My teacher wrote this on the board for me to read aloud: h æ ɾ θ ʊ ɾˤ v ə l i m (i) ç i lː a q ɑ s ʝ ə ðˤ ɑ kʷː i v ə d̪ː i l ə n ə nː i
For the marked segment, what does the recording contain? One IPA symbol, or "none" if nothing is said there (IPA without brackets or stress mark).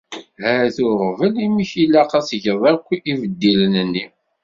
i